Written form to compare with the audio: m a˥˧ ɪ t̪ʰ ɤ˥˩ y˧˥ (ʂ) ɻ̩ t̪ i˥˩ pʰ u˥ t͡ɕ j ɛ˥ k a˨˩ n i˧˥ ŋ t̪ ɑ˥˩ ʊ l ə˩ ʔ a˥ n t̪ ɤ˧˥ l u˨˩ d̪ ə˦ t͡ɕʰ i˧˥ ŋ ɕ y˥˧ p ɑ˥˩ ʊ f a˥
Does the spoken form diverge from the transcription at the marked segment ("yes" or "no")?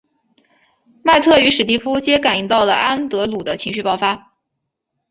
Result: no